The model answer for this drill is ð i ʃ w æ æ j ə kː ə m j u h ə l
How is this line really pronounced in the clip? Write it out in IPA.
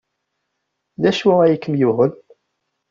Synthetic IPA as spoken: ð æ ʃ w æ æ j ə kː ə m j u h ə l

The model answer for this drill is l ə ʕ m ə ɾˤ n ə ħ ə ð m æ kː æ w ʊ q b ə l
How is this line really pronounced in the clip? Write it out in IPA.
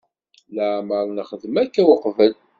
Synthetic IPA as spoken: l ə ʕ m ə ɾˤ n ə χ ə ð m æ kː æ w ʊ q v ə l

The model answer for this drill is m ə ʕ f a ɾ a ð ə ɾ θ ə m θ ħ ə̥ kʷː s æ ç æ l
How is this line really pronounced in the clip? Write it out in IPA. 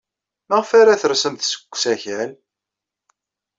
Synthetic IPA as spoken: m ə ʁ f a ɾ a θ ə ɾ s ə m θ s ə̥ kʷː s æ ç æ l

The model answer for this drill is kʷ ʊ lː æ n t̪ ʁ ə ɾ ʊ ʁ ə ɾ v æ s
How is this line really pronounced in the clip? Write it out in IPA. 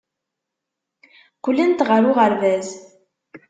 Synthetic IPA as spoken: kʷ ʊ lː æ n t̪ ʁ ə ɾ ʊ ʁ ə ɾ v æ z

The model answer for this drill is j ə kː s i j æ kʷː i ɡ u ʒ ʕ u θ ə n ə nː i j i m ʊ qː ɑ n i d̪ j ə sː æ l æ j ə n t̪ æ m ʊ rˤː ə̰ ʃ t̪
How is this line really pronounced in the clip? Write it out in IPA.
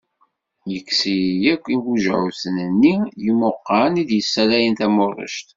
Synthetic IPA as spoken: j ə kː s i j æ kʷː i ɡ u ʒ ʕ u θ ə n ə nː i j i m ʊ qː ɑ n i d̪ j ə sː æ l æ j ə n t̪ æ m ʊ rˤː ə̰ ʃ t̪

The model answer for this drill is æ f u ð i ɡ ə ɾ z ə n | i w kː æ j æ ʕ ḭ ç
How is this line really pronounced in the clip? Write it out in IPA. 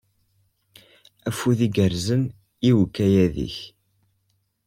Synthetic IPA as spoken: æ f u ð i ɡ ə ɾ z ə n | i w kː æ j æ ð ḭ ç

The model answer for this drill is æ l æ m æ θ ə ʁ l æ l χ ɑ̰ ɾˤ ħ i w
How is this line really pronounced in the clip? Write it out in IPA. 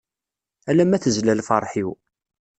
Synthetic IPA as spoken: æ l æ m æ θ ə z l æ l f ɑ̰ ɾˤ ħ i w

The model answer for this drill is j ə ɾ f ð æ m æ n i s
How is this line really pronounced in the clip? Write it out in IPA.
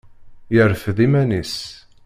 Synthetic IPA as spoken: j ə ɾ f ð i m æ n i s

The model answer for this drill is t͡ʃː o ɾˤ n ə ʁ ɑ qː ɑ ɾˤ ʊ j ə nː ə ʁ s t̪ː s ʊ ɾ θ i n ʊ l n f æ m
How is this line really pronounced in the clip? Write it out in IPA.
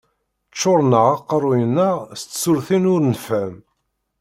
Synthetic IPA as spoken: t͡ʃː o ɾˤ n ə ʁ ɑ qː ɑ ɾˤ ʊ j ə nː ə ʁ s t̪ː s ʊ ɾ θ i n ʊ ɾ n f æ m

